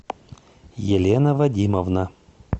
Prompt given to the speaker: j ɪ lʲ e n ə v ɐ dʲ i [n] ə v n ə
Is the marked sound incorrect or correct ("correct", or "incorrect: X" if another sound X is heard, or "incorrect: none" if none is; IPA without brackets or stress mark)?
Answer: incorrect: m